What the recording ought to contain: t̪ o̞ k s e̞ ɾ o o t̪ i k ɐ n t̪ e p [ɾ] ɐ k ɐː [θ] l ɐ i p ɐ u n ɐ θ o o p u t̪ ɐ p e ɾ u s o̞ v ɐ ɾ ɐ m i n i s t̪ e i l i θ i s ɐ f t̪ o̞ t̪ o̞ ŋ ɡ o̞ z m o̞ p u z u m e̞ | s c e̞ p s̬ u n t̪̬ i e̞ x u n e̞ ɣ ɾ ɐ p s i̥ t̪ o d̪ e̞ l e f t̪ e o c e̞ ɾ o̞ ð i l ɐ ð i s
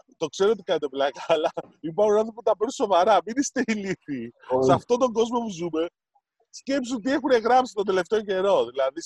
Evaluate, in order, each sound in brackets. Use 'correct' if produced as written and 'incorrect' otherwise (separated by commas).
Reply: incorrect, incorrect